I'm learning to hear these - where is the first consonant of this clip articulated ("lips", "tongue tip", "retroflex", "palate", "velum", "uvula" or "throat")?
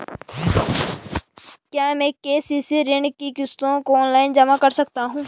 velum